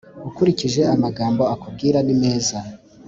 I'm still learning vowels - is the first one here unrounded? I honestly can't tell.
no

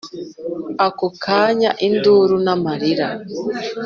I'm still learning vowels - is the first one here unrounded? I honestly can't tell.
yes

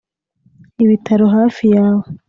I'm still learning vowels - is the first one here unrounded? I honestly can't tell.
yes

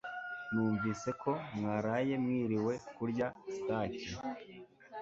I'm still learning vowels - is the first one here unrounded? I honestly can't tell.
no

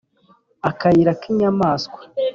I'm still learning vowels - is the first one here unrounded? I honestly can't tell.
yes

